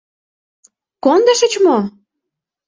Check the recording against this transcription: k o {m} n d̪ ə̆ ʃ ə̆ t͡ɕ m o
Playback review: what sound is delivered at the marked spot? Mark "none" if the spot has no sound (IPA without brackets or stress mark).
none